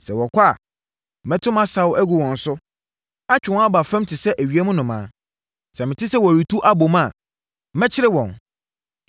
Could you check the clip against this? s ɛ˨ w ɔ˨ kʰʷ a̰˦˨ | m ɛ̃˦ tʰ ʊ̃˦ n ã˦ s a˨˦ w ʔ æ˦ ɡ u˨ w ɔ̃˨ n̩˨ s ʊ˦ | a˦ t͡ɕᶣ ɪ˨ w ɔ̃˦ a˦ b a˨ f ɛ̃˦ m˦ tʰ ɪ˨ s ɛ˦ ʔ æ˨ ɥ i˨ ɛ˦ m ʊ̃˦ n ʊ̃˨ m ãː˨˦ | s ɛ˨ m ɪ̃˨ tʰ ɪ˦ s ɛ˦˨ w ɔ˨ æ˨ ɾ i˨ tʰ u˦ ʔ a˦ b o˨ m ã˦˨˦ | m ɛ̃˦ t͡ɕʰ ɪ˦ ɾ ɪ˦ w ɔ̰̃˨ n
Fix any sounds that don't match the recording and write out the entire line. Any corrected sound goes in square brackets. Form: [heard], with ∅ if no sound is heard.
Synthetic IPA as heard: s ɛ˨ w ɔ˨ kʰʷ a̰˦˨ | m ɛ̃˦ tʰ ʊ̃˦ [m] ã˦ s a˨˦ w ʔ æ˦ ɡ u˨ w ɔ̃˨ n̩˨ s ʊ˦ | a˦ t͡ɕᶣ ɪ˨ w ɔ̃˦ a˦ b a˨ f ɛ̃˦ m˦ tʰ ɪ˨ s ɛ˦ ʔ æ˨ ɥ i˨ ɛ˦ m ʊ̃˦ n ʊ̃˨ m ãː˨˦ | s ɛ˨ m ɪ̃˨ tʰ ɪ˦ s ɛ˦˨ w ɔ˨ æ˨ ɾ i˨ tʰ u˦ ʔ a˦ b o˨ m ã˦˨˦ | m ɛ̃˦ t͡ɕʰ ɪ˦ ɾ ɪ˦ w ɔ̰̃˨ n